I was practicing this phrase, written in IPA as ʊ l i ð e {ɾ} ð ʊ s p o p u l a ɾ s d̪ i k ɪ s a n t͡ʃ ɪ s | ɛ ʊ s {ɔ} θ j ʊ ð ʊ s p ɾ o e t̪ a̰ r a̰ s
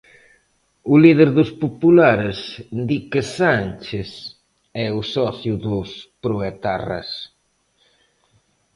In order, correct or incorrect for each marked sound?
correct, correct

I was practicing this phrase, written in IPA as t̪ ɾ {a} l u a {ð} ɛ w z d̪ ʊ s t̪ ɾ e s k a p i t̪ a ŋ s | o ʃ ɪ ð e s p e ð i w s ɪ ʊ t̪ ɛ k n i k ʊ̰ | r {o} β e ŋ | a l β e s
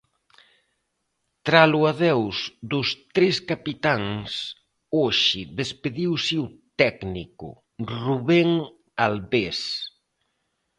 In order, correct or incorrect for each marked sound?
correct, correct, incorrect

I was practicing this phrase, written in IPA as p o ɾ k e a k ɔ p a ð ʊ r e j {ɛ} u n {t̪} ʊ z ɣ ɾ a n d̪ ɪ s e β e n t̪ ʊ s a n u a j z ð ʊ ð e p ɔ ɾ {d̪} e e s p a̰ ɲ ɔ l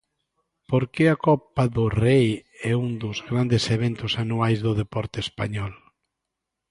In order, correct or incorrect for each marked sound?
correct, incorrect, incorrect

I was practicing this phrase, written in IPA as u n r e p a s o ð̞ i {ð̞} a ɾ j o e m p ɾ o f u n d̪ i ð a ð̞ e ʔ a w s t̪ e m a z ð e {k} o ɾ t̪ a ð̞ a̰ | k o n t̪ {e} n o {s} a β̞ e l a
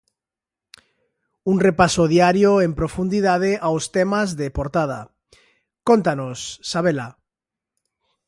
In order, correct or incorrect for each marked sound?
incorrect, incorrect, incorrect, incorrect

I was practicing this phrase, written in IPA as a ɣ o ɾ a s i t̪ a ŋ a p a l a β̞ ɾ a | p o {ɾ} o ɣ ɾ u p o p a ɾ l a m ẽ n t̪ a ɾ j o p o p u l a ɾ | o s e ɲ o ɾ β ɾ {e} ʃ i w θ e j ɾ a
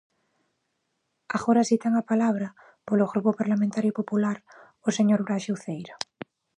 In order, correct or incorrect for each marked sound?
incorrect, incorrect

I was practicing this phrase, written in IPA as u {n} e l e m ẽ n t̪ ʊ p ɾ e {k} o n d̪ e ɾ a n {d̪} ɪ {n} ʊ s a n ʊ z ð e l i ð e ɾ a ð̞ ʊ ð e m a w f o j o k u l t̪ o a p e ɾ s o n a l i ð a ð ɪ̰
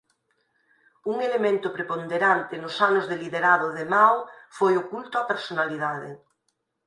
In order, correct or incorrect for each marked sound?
incorrect, incorrect, incorrect, correct

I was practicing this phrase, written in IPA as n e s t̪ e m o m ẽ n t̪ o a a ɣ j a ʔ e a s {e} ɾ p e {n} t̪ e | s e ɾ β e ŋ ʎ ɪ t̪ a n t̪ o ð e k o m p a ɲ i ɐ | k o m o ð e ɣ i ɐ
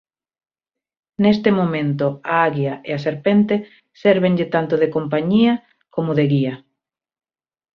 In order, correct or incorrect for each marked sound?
correct, correct

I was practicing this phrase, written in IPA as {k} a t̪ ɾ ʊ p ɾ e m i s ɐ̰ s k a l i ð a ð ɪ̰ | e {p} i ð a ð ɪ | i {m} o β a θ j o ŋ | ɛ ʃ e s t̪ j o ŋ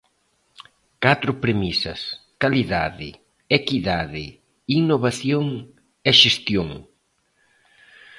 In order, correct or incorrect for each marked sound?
correct, incorrect, incorrect

